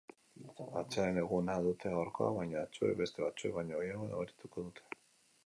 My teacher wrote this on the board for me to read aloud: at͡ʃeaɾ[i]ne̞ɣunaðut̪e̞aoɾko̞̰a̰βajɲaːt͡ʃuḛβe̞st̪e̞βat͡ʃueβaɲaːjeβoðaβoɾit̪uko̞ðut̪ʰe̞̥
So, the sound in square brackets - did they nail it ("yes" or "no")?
no